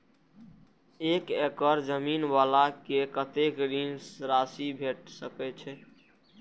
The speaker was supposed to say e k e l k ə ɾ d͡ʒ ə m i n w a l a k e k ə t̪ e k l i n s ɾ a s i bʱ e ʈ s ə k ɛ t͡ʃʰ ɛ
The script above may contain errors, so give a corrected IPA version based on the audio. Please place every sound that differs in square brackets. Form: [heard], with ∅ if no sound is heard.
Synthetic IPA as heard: e k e [∅] k ə ɾ d͡ʒ ə m i n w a l a k e k ə t̪ e k [ɾ] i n s ɾ a s i bʱ e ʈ s ə k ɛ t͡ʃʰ ɛ